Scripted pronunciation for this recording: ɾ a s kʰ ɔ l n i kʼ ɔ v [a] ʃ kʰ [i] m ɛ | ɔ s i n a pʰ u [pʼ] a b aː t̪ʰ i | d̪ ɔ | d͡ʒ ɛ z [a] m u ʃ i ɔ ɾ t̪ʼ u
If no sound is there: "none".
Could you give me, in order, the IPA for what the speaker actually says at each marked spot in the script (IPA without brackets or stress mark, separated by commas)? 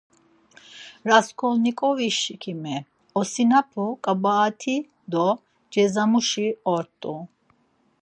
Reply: i, i, kʼ, a